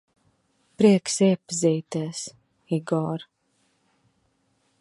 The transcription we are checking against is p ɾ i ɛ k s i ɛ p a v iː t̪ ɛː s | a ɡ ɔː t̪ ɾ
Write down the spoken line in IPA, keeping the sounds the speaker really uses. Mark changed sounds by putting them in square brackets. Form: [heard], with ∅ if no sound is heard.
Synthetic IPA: p ɾ i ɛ k s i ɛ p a [z] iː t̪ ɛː s | [i] ɡ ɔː [∅] ɾ